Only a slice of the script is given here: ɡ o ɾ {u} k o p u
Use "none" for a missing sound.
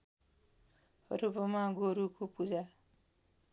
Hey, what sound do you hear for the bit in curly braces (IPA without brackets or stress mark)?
u